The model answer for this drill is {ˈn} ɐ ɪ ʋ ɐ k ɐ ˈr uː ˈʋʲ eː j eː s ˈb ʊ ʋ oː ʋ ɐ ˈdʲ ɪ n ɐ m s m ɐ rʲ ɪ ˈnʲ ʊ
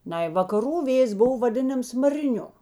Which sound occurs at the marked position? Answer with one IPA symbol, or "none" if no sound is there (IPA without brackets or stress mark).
n